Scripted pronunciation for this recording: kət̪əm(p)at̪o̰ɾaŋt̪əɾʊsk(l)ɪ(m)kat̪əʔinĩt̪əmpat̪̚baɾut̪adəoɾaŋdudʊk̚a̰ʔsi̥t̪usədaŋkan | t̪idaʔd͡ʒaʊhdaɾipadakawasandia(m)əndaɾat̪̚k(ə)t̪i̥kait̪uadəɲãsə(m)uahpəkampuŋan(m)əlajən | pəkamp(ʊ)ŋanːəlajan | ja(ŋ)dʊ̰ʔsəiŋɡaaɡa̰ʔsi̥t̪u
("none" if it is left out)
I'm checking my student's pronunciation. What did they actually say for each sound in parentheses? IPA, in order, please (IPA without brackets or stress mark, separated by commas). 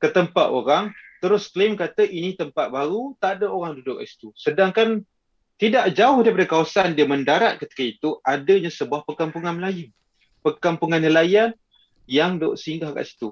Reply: p, l, m, m, ə, b, m, u, ŋ